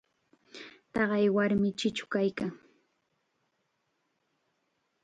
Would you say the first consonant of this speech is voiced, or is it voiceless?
voiceless